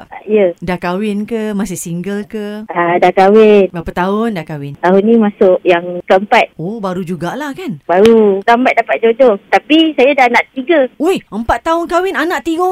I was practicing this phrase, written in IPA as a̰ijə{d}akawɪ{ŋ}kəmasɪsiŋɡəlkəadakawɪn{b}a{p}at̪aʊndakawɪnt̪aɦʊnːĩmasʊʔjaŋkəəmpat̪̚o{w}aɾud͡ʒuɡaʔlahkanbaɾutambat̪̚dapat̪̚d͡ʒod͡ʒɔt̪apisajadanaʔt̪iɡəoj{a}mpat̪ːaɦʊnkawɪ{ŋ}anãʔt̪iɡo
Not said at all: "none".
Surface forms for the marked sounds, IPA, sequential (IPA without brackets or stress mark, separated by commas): d, n, b, p, b, ə, n